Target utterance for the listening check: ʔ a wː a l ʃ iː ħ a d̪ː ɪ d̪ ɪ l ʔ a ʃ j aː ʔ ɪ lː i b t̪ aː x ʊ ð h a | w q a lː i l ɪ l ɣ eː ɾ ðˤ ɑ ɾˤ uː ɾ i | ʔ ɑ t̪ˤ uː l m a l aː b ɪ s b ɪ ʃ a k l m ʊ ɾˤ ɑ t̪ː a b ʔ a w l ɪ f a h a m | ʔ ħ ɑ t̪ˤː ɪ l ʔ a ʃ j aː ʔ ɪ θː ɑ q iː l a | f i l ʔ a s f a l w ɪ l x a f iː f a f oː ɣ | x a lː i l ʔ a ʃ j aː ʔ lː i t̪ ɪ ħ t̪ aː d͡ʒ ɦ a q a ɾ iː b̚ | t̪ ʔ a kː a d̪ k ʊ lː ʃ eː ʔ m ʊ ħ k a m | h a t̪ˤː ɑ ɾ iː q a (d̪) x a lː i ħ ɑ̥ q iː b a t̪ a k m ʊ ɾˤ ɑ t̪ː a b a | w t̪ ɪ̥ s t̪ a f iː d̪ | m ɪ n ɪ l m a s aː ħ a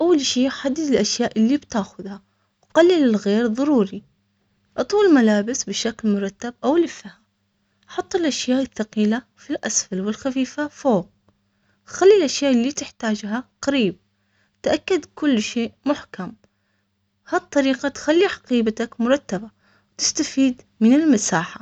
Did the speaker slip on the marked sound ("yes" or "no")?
yes